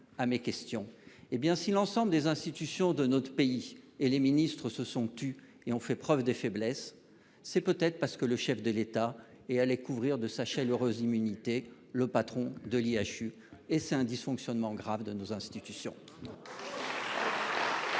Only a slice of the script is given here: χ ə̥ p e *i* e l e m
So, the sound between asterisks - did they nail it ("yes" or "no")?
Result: yes